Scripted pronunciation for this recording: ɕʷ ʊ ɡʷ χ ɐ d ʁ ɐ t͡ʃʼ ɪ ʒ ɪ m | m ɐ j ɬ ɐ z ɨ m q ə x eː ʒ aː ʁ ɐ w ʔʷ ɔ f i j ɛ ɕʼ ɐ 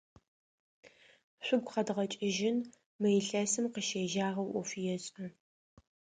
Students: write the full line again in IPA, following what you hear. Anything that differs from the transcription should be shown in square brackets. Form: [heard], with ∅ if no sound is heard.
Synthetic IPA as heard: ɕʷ ʊ ɡʷ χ ɐ d ʁ ɐ t͡ʃʼ ɪ ʒ ɪ [n] | m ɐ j ɬ ɐ [s] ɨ m q ə [ʃ] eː ʒ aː ʁ ɐ w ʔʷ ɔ f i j ɛ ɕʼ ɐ